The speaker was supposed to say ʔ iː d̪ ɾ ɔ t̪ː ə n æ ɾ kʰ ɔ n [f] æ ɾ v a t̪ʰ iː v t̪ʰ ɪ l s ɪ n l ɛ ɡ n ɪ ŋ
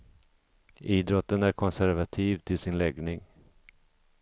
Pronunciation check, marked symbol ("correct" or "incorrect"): incorrect